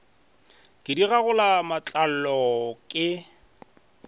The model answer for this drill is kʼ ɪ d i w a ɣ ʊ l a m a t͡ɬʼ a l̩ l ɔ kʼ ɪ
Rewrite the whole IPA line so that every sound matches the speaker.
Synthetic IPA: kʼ ɪ d i ɣ a ɣ ʊ l a m a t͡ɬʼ a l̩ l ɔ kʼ ɪ

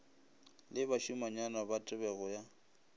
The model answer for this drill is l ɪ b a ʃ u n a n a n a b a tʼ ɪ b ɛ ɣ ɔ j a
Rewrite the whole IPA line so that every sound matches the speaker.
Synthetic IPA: l ɪ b a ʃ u m a ɲ a n a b a tʼ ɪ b ɛ ɣ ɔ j a

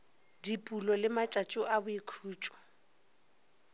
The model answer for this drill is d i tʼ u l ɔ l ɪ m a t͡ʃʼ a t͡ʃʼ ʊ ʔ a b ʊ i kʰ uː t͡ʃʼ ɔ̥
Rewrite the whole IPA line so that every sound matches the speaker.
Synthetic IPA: d i pʼ u l ɔ l ɪ m a t͡ʃʼ a t͡ʃʼ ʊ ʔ a b ʊ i kʰ uː t͡ʃʼ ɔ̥

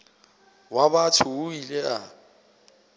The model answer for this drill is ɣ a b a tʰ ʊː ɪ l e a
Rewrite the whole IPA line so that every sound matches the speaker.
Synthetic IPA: w a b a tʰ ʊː i l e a

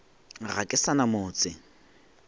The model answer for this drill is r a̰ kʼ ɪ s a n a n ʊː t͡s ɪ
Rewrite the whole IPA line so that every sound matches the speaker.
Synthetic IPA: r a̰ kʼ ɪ s a n a m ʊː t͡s ɪ

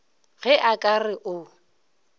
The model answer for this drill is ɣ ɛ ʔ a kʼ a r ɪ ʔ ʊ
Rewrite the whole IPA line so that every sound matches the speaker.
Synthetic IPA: ɣ ɛ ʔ a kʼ a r ɪ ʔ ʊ

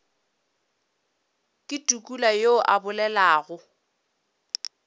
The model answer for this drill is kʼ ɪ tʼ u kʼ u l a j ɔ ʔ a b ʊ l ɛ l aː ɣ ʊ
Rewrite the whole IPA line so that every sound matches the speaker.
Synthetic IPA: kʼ ɪ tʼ u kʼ u l a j o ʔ a b ʊ l ɛ l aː ɣ ʊ

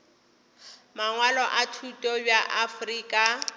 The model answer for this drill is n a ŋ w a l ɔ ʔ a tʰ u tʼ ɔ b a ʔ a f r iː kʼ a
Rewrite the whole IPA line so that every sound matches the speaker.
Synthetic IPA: m a ŋ w a l ɔ ʔ a tʰ u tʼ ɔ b a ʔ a f r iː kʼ a

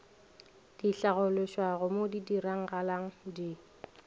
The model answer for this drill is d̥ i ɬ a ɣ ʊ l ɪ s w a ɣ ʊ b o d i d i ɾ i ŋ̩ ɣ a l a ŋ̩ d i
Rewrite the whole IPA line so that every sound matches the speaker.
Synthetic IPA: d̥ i ɬ a ɣ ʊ l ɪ ʃ w a ɣ ʊ m o d i d i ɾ a ŋ̩ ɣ a l a ŋ̩ d i

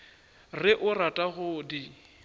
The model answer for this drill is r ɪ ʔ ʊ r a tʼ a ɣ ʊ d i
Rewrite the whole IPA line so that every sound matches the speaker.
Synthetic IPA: r ɪ ʔ ʊ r a tʼ a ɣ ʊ d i

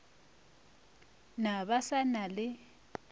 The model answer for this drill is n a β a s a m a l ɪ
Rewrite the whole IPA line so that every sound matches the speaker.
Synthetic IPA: n a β a s a n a l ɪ

